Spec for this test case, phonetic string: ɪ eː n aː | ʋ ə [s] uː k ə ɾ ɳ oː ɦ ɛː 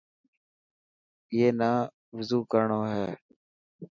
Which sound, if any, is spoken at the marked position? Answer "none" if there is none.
z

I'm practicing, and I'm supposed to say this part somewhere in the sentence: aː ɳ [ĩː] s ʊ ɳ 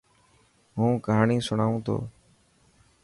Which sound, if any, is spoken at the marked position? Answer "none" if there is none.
iː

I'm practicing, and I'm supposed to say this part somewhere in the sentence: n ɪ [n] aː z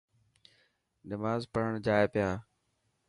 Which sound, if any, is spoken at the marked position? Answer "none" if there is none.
m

